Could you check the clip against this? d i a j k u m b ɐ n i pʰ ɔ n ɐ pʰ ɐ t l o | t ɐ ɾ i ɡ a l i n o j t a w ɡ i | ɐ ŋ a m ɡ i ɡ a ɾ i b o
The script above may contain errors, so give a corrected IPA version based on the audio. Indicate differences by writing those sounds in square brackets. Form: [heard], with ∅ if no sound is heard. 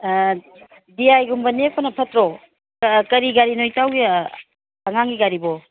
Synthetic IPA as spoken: d i a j [ɡ] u m b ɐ n [e] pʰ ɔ n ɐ pʰ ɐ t [ɾ] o | [k] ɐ ɾ i ɡ a [ɾ] i n o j t a w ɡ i | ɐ ŋ a [ŋ] ɡ i ɡ a ɾ i b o